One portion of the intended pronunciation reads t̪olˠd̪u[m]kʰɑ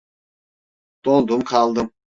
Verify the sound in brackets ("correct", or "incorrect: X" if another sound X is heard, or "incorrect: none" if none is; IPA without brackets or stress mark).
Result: correct